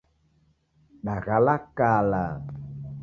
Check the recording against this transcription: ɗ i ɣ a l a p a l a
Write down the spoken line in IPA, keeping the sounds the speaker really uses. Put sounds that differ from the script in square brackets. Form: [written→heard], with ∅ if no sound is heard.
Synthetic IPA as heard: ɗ [i→a] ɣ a l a [p→k] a l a